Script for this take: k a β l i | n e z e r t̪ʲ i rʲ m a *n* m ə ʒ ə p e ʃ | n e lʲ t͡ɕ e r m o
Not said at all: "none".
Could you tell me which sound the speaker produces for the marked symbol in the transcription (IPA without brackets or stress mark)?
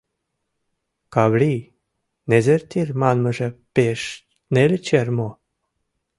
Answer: n